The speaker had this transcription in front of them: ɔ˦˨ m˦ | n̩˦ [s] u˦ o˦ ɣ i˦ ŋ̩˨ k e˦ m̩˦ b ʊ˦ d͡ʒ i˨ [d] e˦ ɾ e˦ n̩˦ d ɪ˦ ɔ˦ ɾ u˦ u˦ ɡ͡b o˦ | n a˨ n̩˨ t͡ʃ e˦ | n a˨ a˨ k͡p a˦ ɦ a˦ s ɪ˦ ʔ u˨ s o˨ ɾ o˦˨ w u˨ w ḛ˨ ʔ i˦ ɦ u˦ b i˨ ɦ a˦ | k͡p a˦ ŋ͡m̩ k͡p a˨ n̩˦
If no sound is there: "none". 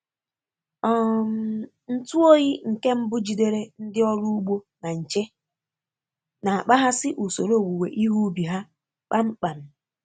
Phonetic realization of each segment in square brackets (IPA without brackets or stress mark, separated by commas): t, d